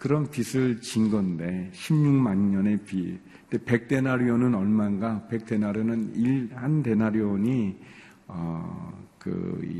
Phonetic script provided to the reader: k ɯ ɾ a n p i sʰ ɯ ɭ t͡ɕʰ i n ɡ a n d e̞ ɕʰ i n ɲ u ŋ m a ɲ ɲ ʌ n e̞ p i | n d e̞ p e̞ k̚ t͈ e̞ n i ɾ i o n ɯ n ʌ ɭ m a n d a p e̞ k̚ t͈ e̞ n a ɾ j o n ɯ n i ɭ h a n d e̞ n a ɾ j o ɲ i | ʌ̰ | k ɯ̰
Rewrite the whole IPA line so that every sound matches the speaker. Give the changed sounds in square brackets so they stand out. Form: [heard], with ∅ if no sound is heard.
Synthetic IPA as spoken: k ɯ ɾ [ʌ] n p i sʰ ɯ ɭ [t͡ɕ] i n ɡ [ʌ] n d e̞ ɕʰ i [m] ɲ u ŋ m a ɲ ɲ ʌ n e̞ p i | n d e̞ p e̞ k̚ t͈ e̞ n [a] ɾ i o n ɯ n ʌ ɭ m a n [ɡ] a p e̞ k̚ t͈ e̞ n a ɾ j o n ɯ n i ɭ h a n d e̞ n a ɾ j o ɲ i | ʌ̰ | k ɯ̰